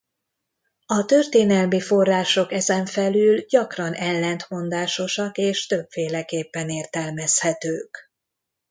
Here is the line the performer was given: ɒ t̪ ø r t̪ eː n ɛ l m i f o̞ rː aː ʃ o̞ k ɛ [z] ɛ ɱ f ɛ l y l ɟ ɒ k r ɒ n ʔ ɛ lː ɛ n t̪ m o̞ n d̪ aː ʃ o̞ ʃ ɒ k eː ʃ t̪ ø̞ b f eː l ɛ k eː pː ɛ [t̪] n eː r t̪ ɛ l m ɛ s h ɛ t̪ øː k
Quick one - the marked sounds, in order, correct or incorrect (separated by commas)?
correct, incorrect